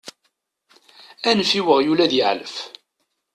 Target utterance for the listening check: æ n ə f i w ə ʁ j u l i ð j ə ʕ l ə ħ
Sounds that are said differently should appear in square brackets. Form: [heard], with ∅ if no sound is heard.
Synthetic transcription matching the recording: æ n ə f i w ə ʁ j u l [æ] ð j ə ʕ l ə [f]